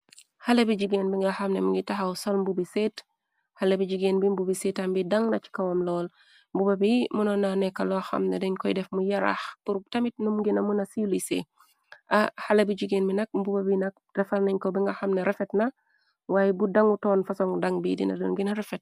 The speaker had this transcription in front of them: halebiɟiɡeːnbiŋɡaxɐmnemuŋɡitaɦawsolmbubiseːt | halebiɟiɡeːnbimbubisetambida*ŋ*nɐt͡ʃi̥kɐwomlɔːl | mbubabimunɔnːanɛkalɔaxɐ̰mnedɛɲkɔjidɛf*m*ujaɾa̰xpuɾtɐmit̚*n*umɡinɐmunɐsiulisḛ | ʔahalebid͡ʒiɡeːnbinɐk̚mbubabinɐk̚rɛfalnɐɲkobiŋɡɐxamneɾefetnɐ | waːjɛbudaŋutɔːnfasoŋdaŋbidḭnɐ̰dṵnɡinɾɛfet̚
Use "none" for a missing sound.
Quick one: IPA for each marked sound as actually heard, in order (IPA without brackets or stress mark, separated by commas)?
ŋ, m, n